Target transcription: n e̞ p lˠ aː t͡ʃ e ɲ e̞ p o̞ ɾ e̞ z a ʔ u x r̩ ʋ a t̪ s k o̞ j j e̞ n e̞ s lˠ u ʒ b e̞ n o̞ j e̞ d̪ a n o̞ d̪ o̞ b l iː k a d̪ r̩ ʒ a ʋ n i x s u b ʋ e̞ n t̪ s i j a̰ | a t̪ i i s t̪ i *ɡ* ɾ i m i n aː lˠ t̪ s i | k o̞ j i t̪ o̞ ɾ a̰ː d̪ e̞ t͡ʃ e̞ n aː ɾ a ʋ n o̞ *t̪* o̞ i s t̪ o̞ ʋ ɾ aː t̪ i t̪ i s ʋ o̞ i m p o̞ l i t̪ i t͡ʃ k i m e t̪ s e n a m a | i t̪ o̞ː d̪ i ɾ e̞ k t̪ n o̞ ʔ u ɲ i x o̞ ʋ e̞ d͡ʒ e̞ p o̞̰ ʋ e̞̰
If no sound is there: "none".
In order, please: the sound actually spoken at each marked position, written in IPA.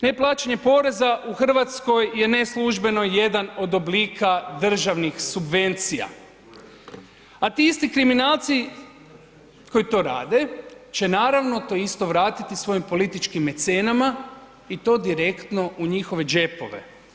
k, t̪

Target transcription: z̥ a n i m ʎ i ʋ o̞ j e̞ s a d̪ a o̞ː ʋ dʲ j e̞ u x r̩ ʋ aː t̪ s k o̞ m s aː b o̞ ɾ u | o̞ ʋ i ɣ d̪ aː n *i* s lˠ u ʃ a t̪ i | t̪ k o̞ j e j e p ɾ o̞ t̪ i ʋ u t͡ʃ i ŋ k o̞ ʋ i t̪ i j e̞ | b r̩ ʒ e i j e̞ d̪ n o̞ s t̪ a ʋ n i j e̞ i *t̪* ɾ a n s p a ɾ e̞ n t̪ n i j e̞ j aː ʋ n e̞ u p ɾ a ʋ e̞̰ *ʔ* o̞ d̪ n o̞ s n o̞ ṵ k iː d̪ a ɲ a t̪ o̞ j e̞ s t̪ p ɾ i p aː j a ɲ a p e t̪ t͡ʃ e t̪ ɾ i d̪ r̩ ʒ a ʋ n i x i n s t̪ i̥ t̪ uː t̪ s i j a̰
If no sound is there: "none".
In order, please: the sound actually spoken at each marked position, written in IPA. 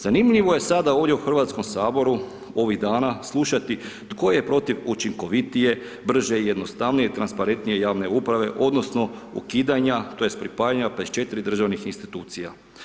a, t̪, ʔ

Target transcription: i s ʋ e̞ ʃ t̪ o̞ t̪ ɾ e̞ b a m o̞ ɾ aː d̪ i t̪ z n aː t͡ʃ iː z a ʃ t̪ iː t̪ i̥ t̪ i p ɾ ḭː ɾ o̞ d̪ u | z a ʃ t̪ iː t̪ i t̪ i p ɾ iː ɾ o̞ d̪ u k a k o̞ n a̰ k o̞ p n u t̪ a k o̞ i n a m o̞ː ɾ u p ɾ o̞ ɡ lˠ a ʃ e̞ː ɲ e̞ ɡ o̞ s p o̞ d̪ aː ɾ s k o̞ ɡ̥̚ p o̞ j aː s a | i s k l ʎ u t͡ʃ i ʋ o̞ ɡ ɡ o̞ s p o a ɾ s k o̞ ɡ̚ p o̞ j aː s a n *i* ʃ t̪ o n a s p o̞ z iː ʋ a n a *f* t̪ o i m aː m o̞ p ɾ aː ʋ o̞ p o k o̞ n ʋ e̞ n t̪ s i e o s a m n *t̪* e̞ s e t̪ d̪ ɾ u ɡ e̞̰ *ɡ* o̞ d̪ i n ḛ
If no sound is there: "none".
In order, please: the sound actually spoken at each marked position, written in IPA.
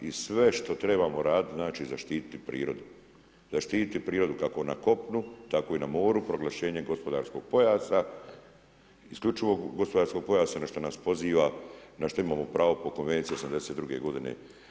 a, ʃ, d̪, ɡ

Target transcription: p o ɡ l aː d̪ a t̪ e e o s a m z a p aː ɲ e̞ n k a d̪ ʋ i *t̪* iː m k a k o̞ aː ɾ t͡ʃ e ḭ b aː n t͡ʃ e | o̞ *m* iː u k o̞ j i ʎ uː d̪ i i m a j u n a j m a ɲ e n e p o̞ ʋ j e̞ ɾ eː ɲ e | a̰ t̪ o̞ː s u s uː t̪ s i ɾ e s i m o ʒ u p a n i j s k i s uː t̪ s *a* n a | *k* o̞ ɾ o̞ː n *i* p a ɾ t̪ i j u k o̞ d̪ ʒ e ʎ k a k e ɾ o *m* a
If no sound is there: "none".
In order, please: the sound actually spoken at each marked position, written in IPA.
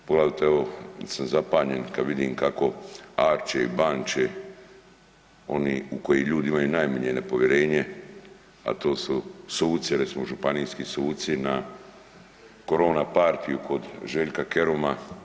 d̪, n, i, k, a, m

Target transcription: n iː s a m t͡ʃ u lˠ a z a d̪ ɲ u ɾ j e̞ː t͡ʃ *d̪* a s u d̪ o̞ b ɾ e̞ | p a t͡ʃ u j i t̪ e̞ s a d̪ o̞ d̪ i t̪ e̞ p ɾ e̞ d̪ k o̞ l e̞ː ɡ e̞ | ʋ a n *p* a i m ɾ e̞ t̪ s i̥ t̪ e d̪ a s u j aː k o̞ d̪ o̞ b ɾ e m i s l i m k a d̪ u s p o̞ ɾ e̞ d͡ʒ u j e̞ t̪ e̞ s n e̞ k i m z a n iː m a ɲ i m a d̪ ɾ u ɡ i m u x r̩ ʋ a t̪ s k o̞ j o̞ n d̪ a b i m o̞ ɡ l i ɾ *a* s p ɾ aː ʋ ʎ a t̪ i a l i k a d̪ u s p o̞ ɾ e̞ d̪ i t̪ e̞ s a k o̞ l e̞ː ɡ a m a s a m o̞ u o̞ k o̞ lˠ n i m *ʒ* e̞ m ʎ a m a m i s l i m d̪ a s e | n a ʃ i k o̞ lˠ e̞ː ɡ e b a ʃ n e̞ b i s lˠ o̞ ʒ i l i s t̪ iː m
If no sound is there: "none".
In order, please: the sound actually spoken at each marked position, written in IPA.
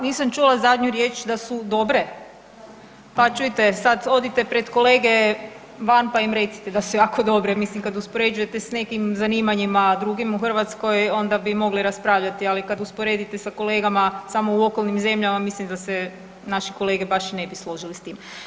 d̪, p, a, z

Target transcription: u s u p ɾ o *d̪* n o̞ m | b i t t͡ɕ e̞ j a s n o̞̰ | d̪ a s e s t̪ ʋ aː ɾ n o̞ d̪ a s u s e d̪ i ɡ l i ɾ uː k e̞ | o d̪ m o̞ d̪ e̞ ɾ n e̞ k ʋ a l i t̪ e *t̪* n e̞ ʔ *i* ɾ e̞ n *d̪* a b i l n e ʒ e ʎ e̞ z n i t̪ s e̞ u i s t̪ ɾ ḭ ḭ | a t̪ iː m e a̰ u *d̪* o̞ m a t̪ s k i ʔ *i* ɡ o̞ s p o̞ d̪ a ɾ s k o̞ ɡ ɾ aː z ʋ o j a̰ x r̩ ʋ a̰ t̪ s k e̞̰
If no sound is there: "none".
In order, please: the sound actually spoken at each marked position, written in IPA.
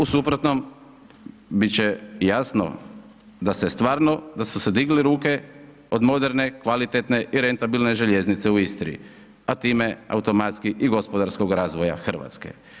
t̪, t̪, i, t̪, t̪, i

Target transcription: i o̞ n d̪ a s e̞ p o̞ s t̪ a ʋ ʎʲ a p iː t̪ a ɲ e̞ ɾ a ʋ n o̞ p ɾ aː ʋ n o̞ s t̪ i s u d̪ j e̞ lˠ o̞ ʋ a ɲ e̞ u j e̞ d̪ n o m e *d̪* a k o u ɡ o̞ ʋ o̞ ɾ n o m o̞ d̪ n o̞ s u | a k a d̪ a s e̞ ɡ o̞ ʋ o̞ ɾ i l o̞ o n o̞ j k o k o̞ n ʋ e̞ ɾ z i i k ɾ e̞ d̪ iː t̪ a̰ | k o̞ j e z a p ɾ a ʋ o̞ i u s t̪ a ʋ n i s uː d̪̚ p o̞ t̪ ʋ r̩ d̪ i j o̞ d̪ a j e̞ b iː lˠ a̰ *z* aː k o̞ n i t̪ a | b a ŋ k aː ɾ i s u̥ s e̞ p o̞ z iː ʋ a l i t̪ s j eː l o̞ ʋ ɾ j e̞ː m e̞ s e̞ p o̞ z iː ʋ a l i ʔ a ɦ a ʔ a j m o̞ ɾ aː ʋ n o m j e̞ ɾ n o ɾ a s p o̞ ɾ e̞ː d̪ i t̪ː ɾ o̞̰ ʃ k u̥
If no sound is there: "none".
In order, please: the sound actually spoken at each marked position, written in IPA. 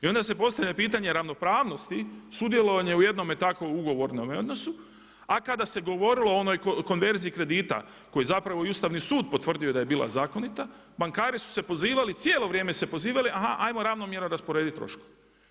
t̪, z

